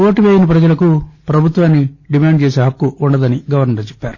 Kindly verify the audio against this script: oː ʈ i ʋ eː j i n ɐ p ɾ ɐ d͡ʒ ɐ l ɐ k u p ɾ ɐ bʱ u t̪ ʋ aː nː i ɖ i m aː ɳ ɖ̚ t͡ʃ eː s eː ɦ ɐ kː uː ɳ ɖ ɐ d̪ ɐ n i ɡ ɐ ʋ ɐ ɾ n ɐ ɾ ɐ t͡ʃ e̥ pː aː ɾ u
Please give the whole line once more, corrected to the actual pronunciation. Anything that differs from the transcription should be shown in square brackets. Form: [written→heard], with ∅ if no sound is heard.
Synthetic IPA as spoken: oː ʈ i ʋ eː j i n ɐ p ɾ ɐ d͡ʒ ɐ l ɐ k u p ɾ ɐ bʱ u t̪ ʋ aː nː i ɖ i m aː ɳ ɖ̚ t͡ʃ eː s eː ɦ ɐ kː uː ɳ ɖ ɐ d̪ ɐ n i ɡ ɐ ʋ ɐ ɾ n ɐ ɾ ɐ t͡ʃ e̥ pː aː ɾ u